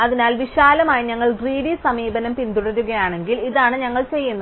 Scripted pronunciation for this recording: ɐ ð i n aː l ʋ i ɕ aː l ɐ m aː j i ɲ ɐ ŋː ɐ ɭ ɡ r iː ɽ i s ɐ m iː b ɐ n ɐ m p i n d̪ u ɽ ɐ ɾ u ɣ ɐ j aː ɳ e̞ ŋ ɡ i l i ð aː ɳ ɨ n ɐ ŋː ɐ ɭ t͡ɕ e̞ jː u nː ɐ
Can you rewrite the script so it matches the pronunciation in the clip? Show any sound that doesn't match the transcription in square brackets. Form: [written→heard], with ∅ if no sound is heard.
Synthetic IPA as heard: ɐ ð i n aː l ʋ i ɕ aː l ɐ m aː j i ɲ ɐ ŋː ɐ ɭ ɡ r iː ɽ i s ɐ m iː b ɐ n ɐ m p i n d̪ u ɽ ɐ ɾ u ɣ ɐ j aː ɳ e̞ ŋ ɡ i l i ð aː ɳ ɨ [n→ɲ] ɐ ŋː ɐ ɭ t͡ɕ e̞ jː u nː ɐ